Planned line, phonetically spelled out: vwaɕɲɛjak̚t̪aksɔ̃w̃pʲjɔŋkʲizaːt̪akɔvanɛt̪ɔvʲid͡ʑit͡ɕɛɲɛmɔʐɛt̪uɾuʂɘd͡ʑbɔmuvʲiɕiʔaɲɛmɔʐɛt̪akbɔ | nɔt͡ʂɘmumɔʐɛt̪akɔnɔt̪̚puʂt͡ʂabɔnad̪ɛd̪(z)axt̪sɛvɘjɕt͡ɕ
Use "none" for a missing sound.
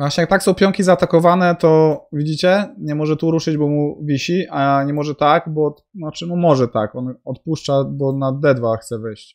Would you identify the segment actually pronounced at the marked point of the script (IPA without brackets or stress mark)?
v